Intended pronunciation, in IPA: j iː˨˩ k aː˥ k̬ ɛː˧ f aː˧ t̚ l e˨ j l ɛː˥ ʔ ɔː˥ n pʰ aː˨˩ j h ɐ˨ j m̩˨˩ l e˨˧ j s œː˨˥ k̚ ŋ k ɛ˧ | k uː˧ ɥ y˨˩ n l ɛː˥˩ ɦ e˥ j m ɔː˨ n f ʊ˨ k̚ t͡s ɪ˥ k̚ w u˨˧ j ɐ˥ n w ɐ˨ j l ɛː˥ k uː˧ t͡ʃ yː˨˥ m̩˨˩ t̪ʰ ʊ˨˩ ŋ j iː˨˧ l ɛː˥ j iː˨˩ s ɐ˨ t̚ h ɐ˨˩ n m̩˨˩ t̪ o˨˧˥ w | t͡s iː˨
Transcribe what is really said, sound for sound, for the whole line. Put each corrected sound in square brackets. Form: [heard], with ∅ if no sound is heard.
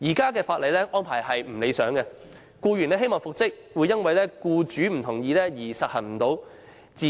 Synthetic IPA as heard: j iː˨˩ k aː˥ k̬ ɛː˧ f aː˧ t̚ l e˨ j l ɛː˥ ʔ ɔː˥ n pʰ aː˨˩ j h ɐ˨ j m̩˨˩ l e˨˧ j s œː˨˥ [∅] ŋ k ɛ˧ | k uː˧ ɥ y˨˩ n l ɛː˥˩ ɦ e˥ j m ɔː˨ [ŋ] f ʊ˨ k̚ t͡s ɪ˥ k̚ w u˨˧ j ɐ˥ n w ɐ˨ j l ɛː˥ k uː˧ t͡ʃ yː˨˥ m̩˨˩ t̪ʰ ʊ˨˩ ŋ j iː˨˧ l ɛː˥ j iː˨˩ s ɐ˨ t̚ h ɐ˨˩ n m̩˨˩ t̪ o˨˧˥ w | t͡s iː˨